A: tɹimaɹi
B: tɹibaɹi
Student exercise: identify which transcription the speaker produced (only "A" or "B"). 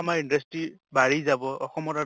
B